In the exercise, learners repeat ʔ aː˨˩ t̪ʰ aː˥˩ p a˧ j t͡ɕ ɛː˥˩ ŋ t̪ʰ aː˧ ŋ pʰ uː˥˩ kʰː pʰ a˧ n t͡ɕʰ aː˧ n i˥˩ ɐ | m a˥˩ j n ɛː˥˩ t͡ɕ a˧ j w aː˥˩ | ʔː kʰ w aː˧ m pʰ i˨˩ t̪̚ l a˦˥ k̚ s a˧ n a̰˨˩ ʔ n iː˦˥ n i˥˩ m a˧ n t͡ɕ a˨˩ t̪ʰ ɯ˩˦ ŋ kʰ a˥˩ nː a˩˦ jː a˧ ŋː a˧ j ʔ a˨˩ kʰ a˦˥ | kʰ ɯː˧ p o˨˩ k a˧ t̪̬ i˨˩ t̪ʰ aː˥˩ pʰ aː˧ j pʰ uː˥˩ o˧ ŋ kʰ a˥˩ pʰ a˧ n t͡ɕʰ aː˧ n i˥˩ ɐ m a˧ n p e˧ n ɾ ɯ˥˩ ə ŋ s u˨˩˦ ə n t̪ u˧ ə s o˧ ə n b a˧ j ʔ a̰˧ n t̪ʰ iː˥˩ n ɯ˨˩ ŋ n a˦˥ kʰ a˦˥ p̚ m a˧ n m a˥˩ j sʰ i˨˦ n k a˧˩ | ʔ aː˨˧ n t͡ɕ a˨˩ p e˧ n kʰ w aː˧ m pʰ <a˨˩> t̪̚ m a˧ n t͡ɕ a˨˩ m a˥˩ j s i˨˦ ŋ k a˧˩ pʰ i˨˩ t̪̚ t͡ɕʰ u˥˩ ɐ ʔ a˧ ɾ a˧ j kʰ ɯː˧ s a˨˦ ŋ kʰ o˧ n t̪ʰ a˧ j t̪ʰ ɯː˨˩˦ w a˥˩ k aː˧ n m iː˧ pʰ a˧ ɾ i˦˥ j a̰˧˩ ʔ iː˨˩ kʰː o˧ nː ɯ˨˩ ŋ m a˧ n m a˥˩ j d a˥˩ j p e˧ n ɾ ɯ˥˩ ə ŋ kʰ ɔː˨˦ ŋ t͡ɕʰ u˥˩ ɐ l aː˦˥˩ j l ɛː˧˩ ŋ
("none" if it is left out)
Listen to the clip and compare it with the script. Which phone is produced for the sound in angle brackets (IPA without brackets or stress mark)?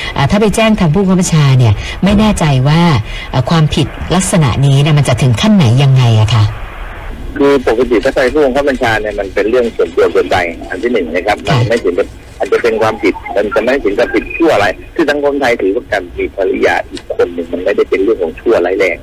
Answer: i˨˩